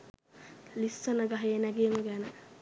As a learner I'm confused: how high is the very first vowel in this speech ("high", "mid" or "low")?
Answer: high